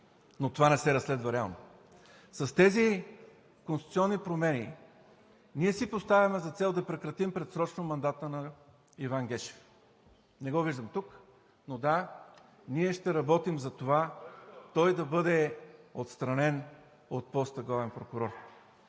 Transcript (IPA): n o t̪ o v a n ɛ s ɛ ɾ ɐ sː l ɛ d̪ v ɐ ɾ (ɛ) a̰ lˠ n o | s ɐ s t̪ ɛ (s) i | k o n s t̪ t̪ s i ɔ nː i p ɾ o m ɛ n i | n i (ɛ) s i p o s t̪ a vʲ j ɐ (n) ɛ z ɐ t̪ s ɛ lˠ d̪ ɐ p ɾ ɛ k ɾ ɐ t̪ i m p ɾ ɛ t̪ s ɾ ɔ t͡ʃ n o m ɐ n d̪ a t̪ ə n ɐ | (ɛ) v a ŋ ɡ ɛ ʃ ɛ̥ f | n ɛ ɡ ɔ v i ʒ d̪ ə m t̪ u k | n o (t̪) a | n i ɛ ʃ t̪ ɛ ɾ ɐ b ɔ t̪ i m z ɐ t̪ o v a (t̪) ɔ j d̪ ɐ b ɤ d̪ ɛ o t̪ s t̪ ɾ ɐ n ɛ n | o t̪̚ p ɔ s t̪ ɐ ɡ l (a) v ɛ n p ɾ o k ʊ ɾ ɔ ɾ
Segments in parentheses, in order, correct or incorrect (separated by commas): correct, incorrect, correct, incorrect, incorrect, incorrect, correct, correct